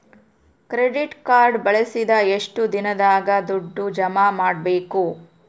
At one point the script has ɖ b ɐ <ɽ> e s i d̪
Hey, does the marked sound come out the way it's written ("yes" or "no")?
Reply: no